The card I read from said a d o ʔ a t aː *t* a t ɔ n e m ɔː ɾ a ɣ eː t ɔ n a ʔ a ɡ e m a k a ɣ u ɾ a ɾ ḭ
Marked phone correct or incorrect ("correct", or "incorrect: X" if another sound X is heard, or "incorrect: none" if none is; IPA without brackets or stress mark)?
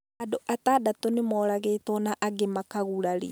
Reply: incorrect: d